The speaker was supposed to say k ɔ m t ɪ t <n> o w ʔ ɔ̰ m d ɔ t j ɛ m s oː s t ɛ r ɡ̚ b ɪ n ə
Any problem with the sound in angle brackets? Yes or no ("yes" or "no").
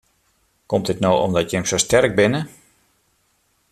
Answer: no